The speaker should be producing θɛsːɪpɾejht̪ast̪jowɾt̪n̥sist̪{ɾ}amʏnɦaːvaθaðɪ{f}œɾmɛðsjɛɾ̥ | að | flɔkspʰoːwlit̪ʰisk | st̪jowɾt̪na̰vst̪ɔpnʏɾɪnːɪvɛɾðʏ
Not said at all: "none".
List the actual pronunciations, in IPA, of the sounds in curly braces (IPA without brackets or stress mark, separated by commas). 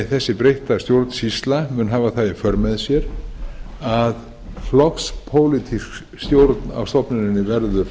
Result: l, f